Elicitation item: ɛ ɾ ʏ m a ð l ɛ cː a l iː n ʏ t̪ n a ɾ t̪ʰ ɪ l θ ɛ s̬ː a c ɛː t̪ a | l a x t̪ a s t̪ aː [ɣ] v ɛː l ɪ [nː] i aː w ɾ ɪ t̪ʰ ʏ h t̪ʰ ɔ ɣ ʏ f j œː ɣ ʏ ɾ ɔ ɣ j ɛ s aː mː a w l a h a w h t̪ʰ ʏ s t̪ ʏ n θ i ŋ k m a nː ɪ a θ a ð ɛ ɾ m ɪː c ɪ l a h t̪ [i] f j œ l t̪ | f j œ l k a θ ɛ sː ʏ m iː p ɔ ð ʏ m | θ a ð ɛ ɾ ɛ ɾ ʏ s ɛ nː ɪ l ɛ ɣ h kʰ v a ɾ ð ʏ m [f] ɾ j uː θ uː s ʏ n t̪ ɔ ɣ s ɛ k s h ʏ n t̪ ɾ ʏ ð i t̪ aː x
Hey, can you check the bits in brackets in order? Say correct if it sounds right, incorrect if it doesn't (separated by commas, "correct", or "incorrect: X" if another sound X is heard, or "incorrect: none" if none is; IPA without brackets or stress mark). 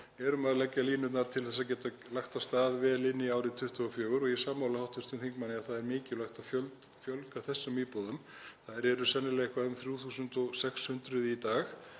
incorrect: ð, correct, incorrect: a, incorrect: θ